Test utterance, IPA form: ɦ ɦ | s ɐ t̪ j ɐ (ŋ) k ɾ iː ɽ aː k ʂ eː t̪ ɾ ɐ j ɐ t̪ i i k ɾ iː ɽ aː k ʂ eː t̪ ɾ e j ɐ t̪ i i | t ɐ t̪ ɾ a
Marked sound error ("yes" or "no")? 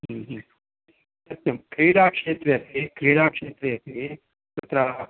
yes